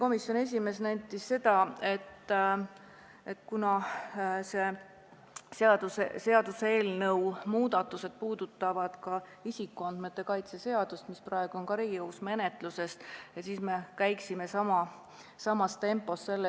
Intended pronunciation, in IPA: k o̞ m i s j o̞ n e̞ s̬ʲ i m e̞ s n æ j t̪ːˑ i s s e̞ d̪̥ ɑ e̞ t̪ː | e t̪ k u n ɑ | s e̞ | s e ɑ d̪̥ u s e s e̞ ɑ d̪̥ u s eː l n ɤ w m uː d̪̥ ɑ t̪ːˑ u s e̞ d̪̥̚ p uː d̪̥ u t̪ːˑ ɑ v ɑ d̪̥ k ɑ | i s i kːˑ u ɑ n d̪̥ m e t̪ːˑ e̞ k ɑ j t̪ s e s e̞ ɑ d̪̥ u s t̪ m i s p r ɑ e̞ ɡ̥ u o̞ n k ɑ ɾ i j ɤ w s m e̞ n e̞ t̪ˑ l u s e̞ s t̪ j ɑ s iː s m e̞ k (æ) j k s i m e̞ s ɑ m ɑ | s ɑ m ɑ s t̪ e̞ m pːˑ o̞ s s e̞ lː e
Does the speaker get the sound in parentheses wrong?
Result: no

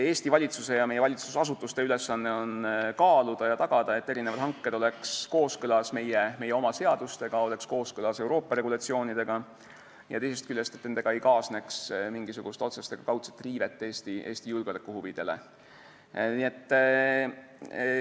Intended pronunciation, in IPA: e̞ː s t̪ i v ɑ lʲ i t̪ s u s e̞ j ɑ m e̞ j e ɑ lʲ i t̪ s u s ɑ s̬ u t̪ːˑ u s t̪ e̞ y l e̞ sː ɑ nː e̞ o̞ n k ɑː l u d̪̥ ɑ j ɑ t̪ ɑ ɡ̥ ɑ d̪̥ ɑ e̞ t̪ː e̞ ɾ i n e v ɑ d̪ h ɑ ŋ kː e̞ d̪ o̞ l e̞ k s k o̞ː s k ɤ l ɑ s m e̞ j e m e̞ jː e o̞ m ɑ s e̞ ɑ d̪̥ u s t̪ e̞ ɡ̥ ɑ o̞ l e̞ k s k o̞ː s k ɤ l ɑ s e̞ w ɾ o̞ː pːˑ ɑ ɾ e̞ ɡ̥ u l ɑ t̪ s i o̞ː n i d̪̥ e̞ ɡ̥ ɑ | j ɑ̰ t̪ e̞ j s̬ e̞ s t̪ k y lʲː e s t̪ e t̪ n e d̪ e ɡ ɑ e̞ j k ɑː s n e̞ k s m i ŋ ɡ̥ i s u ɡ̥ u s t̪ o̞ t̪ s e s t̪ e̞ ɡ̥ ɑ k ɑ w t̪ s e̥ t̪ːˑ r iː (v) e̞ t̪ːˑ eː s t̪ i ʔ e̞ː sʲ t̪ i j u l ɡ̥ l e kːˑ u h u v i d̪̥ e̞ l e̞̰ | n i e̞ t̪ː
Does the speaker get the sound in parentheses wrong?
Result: no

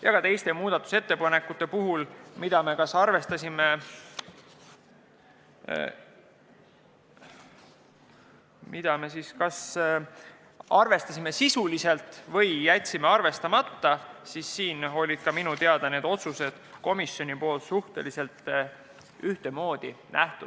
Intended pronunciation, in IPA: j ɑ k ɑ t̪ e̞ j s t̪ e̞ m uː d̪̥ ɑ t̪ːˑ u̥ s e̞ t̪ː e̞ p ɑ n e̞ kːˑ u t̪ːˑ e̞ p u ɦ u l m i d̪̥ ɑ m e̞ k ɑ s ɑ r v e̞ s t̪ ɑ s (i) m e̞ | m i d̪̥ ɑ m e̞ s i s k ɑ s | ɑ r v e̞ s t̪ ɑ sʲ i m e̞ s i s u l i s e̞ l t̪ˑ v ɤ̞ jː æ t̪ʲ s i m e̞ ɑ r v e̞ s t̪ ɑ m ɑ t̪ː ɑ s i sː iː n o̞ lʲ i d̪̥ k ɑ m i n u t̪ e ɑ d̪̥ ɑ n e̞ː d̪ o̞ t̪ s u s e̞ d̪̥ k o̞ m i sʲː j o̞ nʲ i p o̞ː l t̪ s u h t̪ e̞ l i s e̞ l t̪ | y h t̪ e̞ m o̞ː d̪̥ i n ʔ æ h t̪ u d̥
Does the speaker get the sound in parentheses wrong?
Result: no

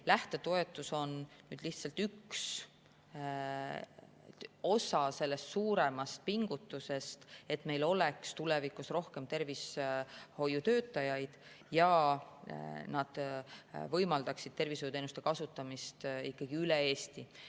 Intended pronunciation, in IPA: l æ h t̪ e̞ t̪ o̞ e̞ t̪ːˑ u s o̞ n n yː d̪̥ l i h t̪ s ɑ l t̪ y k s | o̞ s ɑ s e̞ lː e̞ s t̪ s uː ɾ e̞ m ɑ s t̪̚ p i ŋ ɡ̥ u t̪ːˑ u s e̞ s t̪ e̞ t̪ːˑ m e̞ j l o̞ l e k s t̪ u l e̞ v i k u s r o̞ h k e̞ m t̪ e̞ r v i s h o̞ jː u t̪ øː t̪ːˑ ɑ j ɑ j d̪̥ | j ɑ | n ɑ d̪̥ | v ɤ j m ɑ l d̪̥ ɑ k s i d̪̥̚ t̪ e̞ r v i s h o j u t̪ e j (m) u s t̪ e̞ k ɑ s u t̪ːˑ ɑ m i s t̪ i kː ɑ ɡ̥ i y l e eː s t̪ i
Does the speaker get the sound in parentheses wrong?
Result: yes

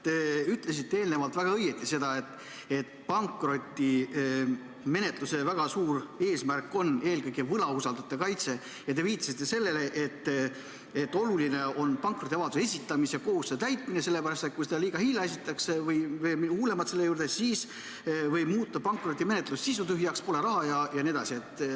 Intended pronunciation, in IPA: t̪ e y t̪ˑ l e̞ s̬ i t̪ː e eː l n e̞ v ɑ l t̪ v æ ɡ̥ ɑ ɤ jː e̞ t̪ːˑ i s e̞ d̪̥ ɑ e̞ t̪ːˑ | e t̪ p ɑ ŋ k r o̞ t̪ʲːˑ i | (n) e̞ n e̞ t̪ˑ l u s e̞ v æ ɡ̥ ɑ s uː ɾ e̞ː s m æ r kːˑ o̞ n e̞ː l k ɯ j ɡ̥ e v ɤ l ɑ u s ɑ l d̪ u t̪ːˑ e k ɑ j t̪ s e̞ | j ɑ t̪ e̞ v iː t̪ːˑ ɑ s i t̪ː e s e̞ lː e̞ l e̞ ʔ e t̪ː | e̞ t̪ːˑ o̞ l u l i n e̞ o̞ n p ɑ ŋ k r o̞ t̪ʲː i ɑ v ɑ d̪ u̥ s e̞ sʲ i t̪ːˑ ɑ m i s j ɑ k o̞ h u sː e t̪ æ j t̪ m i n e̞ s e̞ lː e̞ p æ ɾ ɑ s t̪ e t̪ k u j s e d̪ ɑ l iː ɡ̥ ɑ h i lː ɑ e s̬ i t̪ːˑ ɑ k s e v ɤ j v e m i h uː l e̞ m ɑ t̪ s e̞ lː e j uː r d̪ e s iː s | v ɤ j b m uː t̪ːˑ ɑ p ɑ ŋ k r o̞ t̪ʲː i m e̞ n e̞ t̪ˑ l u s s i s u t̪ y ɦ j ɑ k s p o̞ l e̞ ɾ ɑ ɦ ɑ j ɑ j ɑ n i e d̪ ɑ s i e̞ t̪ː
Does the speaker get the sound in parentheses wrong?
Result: yes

